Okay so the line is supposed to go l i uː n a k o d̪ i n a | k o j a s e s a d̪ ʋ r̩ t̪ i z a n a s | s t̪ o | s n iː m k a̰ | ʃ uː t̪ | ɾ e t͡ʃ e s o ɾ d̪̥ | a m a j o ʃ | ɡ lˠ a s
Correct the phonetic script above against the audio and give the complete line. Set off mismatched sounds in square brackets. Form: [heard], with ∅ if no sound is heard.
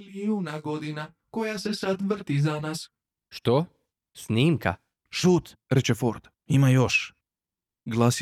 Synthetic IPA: l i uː n a [ɡ] o d̪ i n a | k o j a s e s a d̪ ʋ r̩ t̪ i z a n a s | [ʃ] t̪ o | s n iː m k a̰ | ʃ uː t̪ | ɾ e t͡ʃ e [f] o ɾ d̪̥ | [i] m a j o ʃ | ɡ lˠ a s